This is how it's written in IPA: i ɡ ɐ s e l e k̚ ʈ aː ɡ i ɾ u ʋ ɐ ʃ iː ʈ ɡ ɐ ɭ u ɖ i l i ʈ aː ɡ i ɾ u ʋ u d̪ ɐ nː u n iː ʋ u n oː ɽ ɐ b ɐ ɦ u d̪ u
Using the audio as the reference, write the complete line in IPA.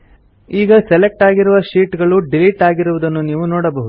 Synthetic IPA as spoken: iː ɡ ɐ s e l e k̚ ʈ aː ɡ i ɾ u ʋ ɐ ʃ iː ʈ ɡ ɐ ɭ u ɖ i l i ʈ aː ɡ i ɾ u ʋ u d̪ ɐ nː u n iː ʋ u n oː ɽ ɐ b ɐ ɦ u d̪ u